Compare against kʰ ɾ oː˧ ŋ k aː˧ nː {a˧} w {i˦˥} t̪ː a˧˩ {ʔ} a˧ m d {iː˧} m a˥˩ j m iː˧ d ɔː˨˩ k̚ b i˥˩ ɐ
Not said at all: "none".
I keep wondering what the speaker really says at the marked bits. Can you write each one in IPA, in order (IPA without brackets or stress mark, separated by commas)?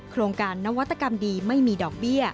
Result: a˦˥, a˦˥, k, iː˧